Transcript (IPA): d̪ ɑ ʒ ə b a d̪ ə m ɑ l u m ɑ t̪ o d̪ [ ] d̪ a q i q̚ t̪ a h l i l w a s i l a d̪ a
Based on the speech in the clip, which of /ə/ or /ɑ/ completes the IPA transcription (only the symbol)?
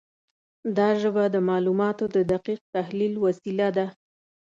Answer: ə